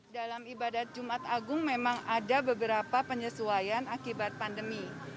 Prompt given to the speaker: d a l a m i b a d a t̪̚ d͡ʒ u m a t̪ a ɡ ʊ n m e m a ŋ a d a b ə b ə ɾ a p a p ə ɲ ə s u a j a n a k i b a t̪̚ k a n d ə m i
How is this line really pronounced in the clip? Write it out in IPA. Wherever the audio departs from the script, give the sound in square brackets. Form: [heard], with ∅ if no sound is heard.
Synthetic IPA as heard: d a l a m i b a d a t̪̚ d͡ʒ u m a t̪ a ɡ ʊ [ŋ] m e m a ŋ a d a b ə b ə ɾ a p a p ə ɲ ə s u a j a n a k i b a t̪̚ [p] a n d ə m i